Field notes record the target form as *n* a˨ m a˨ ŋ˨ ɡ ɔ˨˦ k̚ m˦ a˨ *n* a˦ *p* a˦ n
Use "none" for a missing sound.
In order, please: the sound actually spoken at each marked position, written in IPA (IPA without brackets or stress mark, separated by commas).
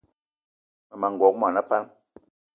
m, n, p